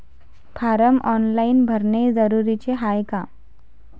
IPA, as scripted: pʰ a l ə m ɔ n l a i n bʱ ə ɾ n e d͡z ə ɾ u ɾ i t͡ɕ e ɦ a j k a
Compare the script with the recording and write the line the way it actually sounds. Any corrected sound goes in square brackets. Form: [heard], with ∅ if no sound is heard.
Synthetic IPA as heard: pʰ a [ɾ] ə m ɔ n l a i n bʱ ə ɾ n e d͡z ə ɾ u ɾ i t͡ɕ e ɦ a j k a